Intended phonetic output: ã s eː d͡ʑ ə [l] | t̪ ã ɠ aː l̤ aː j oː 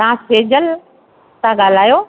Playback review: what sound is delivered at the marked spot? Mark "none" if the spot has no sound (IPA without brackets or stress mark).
l